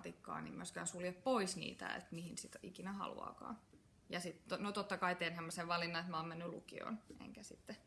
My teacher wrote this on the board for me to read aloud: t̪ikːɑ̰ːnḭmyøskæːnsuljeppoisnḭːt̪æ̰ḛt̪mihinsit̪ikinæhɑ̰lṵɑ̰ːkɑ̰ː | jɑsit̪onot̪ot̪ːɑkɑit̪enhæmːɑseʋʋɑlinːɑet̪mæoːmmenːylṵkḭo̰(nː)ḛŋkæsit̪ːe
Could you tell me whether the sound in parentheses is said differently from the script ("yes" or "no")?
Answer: yes